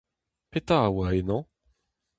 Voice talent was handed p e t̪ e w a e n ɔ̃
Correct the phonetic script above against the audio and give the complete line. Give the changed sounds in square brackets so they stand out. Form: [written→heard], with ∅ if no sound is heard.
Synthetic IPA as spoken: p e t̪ [e→a] w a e n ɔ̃